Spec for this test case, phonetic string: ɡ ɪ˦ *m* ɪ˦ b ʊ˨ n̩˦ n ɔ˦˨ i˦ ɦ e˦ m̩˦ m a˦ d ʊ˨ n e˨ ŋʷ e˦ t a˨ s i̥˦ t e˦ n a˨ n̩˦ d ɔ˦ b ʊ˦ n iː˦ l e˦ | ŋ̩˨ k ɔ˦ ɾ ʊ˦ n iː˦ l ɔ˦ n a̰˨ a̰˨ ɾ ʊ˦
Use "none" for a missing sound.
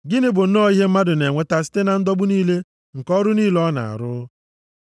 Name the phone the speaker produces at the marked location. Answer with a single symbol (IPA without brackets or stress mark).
n